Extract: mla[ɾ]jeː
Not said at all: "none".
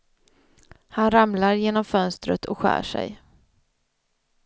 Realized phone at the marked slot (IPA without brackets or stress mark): ɾ